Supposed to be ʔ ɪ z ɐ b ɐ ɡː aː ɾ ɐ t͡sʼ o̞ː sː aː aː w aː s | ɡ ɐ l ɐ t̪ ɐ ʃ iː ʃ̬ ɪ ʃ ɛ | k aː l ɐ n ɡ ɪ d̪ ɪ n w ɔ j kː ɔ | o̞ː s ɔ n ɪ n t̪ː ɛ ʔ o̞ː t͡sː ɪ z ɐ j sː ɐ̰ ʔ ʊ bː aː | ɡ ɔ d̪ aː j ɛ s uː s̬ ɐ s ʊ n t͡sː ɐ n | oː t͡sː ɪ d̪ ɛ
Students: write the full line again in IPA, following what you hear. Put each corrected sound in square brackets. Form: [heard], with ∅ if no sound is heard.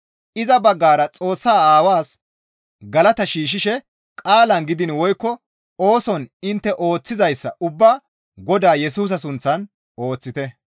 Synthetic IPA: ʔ ɪ z ɐ b ɐ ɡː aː ɾ ɐ t͡sʼ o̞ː sː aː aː w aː s | ɡ ɐ l ɐ t̪ ɐ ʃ iː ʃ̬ ɪ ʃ ɛ | [kʼ] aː l ɐ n ɡ ɪ d̪ ɪ n w ɔ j kː ɔ | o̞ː s ɔ n ɪ n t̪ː ɛ ʔ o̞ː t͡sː ɪ z ɐ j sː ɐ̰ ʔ ʊ bː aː | ɡ ɔ d̪ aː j ɛ s uː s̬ ɐ s ʊ n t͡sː ɐ n | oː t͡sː ɪ [t̪] ɛ